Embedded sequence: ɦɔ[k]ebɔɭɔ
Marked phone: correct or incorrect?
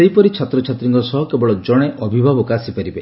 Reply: correct